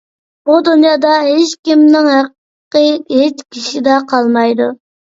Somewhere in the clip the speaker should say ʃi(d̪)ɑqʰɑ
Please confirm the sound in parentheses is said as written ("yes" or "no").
yes